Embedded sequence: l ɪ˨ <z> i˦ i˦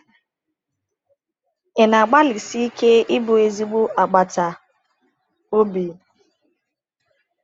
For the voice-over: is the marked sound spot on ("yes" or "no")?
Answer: no